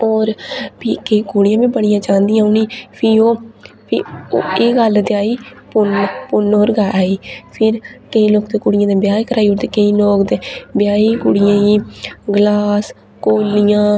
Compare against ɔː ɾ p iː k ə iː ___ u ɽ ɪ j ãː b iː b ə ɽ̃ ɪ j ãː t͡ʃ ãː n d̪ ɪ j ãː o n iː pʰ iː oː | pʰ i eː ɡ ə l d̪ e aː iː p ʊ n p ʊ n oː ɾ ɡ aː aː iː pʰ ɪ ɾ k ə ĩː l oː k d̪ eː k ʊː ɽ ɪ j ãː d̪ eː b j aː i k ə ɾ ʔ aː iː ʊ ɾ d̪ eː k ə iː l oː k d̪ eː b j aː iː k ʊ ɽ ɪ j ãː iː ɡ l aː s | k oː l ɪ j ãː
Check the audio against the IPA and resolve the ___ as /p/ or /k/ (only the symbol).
k